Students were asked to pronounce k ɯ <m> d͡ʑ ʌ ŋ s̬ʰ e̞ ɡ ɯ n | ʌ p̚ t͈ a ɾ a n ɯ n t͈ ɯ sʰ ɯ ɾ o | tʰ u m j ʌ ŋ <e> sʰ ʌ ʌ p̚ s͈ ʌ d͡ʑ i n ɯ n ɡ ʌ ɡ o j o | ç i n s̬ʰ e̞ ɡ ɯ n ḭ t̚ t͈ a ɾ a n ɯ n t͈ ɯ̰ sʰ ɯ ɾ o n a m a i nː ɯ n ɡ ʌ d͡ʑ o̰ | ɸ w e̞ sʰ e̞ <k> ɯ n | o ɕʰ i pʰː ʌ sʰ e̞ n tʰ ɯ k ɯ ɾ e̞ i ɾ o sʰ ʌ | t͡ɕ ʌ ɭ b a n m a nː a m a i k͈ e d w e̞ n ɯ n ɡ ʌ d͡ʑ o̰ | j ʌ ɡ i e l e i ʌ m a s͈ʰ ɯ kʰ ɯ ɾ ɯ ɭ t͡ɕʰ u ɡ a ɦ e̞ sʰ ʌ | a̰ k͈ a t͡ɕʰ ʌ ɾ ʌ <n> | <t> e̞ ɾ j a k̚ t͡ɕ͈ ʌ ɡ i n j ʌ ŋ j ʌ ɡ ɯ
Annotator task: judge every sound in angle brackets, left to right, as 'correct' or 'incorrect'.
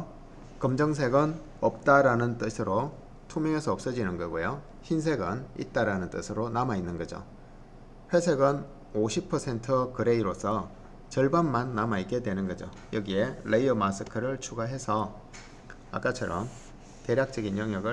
correct, correct, incorrect: ɡ, incorrect: m, correct

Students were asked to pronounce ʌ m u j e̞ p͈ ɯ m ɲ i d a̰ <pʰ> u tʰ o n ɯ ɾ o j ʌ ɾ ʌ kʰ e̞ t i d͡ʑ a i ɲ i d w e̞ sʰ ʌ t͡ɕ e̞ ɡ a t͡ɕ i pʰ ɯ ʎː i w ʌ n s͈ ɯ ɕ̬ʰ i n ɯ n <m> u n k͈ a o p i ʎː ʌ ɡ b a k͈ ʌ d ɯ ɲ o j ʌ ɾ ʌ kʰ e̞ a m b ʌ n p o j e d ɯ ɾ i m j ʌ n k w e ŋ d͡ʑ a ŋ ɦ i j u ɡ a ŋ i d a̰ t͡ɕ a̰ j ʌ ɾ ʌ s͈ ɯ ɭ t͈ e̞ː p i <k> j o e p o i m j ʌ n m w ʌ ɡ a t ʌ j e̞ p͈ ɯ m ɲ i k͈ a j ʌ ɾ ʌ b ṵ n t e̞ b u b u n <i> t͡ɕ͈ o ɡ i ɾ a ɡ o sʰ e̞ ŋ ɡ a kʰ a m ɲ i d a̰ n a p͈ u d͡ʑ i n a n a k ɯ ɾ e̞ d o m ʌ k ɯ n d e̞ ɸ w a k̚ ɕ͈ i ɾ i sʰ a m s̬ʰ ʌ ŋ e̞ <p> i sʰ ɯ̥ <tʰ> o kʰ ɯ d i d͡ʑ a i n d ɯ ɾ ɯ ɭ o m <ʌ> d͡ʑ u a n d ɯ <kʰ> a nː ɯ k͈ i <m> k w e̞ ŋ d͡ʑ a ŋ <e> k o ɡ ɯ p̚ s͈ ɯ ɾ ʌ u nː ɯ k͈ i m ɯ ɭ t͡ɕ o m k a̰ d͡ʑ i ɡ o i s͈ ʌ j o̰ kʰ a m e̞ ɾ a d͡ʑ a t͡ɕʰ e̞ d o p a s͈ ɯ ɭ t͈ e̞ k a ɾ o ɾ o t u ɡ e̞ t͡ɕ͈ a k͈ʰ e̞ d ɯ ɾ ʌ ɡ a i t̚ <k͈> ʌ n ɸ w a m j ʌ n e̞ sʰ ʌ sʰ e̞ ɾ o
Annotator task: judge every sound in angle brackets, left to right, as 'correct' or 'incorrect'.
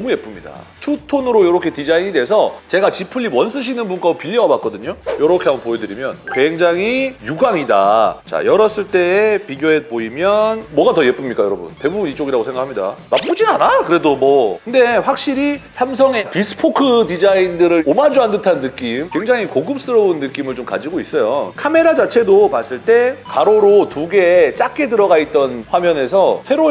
incorrect: tʰ, incorrect: b, incorrect: ɡ, correct, correct, incorrect: pʰ, incorrect: a, incorrect: tʰ, correct, incorrect: i, incorrect: t͈

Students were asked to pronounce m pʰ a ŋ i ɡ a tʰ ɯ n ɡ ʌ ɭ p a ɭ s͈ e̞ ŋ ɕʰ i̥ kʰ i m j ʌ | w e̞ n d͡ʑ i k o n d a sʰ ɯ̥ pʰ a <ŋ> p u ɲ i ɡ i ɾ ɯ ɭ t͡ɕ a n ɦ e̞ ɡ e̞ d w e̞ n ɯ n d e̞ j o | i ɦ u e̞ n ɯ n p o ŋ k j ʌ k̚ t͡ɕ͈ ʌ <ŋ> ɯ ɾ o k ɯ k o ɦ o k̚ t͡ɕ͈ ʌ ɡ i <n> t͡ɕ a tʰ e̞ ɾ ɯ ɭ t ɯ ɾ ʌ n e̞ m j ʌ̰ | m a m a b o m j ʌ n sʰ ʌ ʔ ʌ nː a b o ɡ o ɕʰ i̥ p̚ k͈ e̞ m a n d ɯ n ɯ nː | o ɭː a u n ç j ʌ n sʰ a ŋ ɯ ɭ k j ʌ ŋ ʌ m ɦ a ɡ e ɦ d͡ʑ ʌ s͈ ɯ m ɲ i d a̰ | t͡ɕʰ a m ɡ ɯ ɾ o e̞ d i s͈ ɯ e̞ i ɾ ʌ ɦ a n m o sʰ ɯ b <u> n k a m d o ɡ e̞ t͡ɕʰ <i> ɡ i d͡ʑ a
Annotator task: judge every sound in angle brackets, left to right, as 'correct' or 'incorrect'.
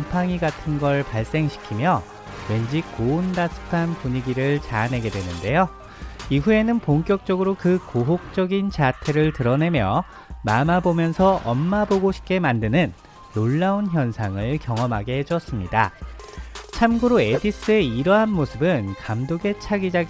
incorrect: n, incorrect: ɡ, correct, incorrect: ɯ, incorrect: a

